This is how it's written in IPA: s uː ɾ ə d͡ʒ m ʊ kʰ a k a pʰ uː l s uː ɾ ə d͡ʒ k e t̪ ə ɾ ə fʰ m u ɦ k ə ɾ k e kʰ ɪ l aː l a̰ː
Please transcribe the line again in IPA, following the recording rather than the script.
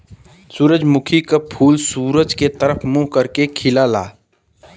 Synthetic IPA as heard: s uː ɾ ə d͡ʒ m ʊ kʰ i k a pʰ uː l s uː ɾ ə d͡ʒ k e t̪ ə ɾ ə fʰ m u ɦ k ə ɾ k e kʰ ɪ l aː l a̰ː